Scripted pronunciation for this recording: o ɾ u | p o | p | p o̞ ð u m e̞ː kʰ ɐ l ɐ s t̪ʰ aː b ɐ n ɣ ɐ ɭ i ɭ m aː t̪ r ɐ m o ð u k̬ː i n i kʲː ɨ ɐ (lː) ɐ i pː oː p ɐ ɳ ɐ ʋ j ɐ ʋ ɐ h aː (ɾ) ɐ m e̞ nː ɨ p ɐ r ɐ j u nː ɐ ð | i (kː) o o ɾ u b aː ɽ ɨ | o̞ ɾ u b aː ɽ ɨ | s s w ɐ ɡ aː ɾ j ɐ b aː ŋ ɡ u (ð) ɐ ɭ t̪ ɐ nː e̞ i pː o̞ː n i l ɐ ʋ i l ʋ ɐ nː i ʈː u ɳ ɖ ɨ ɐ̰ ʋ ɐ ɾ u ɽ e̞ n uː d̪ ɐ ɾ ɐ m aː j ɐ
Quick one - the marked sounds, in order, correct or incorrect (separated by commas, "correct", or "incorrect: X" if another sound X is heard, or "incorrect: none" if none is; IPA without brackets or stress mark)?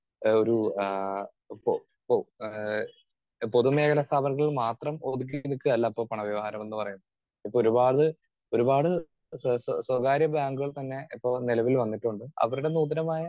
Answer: correct, correct, incorrect: pː, incorrect: ɣ